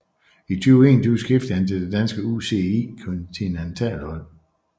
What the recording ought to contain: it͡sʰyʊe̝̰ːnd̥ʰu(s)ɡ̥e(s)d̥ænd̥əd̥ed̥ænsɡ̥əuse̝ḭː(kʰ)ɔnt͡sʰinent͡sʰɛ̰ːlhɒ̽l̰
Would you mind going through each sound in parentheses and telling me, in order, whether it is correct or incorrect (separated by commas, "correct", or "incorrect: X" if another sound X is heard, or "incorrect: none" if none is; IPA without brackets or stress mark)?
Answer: correct, incorrect: f, correct